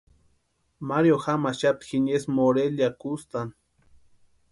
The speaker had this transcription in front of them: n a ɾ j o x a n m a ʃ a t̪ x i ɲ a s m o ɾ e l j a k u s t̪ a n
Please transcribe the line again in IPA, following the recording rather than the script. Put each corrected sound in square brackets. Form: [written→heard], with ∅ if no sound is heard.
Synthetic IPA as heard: [n→m] a ɾ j o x a [n→∅] m a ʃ a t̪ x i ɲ [a→e] s m o ɾ e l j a k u s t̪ a n